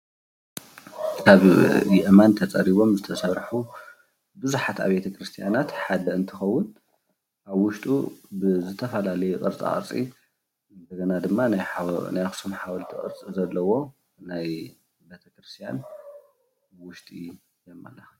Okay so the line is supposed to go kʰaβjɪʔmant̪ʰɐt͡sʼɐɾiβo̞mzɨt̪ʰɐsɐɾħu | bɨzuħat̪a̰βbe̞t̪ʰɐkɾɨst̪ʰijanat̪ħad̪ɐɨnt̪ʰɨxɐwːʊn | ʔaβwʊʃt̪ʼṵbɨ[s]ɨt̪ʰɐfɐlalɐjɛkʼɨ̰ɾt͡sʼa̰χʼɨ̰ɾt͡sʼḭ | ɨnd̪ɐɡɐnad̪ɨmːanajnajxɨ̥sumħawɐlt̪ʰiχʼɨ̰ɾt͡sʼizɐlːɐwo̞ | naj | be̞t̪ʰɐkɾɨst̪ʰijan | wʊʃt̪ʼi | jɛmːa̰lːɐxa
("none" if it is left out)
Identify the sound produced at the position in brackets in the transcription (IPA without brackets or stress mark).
z